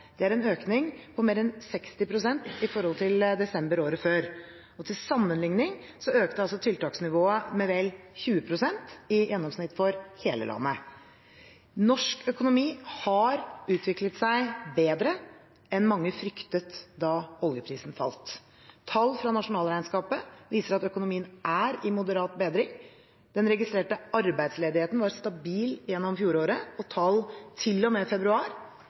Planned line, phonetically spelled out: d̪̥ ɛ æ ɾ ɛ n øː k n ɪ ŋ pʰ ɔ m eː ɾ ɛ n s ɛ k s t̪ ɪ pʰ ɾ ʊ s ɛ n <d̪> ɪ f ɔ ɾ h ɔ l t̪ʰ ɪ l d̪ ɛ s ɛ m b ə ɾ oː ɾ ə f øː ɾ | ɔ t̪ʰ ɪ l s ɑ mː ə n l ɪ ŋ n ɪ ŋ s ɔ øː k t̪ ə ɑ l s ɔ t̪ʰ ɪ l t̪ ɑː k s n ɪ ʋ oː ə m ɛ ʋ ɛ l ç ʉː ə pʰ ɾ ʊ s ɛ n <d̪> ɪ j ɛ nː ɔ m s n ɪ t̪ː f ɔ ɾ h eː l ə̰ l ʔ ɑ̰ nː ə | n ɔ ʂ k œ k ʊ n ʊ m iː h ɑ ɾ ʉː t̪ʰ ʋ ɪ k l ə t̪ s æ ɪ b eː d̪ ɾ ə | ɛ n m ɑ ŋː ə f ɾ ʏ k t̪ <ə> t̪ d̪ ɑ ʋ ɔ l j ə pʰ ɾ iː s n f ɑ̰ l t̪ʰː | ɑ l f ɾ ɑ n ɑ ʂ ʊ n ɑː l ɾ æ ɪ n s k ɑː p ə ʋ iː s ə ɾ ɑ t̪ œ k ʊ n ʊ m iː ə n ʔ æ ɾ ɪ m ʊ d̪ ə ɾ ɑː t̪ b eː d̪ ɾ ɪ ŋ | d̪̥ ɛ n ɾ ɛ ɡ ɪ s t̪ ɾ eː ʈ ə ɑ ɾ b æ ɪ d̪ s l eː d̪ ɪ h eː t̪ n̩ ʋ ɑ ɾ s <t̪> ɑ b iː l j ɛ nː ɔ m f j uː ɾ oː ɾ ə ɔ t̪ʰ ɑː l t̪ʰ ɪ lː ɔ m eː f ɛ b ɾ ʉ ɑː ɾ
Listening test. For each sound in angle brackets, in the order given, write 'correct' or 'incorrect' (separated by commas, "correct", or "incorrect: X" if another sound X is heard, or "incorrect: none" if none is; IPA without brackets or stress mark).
incorrect: t̪, incorrect: t̪, correct, correct